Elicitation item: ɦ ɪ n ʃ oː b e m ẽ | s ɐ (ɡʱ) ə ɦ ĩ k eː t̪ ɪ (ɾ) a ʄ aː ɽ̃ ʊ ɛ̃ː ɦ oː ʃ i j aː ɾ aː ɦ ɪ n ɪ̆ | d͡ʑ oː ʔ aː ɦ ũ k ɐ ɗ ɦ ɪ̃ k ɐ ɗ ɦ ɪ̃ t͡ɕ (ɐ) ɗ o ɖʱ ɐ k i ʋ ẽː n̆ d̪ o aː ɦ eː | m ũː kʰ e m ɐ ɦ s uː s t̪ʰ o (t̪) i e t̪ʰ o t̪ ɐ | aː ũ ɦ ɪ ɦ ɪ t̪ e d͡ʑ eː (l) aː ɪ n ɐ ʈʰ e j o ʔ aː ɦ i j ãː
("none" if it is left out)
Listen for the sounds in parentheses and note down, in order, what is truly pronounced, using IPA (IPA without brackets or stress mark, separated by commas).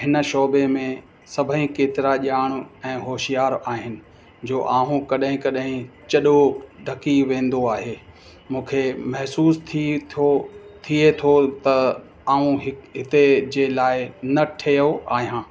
bʱ, ɾ, ɐ, t̪ʰ, l